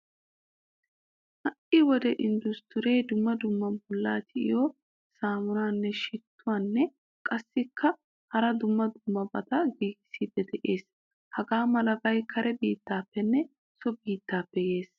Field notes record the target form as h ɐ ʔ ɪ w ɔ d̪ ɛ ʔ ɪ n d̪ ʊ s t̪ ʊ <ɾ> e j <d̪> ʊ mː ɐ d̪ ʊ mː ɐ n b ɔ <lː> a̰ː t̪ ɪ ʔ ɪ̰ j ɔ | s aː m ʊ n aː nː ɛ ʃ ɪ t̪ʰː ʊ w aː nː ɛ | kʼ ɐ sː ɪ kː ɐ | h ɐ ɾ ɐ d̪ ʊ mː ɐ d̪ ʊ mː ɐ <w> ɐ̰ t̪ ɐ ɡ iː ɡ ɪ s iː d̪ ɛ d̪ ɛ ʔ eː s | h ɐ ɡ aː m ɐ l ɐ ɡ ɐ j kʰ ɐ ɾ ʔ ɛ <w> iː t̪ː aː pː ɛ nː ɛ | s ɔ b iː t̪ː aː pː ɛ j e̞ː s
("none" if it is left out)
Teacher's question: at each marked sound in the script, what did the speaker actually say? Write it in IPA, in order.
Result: ɾ, d̪, lː, b, b

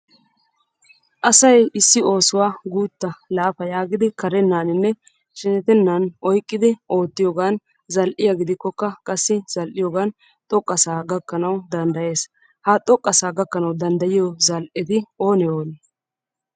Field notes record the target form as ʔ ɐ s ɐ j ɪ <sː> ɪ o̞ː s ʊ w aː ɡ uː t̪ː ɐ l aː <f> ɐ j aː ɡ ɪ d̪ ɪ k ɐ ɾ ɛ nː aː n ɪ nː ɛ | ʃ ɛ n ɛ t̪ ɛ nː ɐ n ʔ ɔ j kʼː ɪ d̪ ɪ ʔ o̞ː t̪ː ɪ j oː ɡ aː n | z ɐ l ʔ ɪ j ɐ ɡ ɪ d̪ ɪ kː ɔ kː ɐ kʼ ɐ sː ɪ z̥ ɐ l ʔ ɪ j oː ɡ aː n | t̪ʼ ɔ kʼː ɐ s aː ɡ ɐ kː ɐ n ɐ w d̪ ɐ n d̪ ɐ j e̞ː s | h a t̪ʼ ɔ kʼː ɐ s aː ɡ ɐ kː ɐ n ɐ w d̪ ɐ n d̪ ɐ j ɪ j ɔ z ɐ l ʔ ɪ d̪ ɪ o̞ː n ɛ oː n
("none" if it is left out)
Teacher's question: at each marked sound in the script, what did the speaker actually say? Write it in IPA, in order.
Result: sː, f

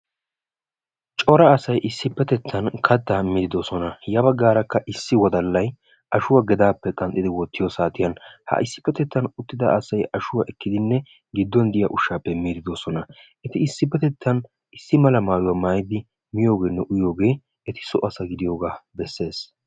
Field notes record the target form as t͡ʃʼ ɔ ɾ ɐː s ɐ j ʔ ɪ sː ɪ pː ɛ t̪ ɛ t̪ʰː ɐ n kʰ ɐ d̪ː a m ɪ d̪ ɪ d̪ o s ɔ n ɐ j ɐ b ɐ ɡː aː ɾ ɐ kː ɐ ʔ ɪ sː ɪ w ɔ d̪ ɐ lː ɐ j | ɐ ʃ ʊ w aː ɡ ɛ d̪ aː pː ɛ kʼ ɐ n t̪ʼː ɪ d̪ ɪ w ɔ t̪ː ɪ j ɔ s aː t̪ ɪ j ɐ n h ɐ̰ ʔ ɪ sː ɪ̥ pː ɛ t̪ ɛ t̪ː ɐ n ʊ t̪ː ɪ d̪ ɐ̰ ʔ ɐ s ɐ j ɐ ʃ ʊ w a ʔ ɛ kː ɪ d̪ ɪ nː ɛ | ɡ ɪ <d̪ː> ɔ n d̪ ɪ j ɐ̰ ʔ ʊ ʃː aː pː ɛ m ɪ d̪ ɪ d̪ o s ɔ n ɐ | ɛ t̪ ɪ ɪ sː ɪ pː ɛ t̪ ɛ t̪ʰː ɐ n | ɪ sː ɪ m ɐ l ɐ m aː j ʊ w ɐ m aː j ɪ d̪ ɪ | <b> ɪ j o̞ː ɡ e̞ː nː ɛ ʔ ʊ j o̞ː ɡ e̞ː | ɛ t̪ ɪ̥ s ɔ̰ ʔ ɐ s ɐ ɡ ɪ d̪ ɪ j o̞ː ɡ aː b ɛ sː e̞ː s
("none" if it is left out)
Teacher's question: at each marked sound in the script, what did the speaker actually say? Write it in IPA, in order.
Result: d̪ː, m

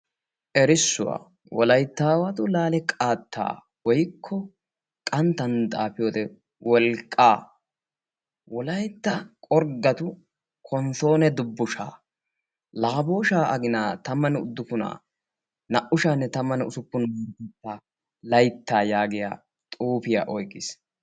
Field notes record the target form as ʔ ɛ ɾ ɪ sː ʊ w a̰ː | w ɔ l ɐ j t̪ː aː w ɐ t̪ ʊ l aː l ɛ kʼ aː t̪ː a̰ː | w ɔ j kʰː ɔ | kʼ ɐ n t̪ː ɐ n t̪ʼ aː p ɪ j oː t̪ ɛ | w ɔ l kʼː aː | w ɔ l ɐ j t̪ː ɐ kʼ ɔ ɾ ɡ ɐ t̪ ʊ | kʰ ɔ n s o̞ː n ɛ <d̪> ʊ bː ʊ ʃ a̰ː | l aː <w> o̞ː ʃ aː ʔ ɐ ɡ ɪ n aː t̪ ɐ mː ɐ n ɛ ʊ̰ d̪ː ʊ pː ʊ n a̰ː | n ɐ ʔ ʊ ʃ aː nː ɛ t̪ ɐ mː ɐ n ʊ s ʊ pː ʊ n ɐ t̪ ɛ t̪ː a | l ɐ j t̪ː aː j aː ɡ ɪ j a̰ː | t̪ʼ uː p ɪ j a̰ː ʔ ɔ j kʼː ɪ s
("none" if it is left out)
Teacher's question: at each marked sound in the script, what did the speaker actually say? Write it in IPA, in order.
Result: d̪, b

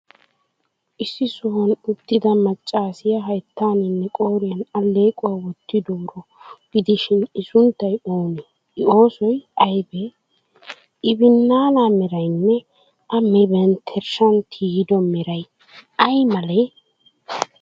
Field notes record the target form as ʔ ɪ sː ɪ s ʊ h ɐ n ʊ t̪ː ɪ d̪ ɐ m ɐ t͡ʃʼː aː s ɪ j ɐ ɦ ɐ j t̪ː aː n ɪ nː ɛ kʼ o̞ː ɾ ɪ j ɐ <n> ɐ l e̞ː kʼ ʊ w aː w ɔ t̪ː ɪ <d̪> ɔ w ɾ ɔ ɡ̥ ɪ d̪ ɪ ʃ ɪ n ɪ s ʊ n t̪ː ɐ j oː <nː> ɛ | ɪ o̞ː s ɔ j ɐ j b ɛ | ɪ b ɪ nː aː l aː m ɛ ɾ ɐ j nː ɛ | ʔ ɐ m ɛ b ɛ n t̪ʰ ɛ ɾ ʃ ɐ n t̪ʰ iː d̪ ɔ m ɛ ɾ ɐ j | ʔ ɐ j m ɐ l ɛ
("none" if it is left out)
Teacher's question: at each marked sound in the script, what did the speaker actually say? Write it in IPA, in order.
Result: n, d̪, n

